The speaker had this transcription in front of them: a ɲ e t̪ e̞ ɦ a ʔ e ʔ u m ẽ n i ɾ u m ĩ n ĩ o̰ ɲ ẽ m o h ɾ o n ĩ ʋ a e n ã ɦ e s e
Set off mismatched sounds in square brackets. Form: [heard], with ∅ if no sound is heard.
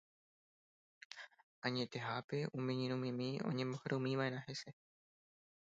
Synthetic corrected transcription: a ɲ e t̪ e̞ ɦ a [p] e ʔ u m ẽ [ɲ] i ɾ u m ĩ [m] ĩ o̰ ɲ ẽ m o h ɾ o [m] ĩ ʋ a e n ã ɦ e s e